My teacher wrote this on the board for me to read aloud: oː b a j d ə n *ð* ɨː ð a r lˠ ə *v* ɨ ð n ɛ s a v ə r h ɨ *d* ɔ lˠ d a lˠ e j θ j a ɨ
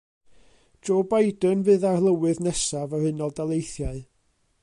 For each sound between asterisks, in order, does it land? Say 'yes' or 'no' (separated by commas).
no, no, no